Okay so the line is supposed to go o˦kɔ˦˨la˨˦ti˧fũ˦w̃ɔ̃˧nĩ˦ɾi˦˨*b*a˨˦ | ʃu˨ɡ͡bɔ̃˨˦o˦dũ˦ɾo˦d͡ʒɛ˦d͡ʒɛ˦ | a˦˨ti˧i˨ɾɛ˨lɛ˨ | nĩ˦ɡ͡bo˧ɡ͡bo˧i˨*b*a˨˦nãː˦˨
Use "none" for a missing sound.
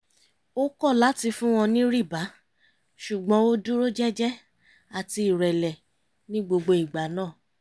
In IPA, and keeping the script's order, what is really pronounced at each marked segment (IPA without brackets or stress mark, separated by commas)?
b, ɡ͡b